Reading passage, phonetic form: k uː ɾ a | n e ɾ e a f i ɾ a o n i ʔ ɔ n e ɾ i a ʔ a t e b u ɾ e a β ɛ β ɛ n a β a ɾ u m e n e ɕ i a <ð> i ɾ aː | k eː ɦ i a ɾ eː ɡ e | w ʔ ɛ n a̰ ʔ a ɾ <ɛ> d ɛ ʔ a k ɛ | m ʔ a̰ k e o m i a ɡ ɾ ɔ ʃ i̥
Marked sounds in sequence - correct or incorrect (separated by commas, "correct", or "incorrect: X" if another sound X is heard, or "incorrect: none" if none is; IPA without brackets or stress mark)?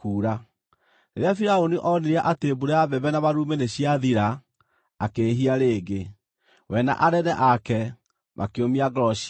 correct, correct